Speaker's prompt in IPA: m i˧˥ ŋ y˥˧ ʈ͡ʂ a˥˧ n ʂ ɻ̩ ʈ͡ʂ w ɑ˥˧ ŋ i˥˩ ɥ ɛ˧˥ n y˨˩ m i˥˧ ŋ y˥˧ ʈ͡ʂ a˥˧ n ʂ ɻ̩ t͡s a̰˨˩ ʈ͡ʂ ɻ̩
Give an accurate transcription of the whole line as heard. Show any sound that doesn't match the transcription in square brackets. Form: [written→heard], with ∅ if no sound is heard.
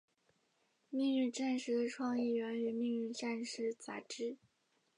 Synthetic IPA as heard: m [i˧˥→i˥˧] ŋ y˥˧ ʈ͡ʂ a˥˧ n ʂ ɻ̩ [ʈ͡ʂ→ʈ͡ʂʰ] w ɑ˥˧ ŋ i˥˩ ɥ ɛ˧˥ n y˨˩ m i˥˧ ŋ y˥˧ ʈ͡ʂ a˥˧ n ʂ ɻ̩ t͡s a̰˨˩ ʈ͡ʂ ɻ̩